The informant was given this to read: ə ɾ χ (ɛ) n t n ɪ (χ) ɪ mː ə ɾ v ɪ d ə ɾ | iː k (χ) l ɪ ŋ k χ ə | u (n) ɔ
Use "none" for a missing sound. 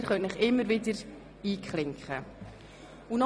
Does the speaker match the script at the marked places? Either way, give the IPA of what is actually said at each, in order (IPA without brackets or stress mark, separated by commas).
œ, χ, χ, n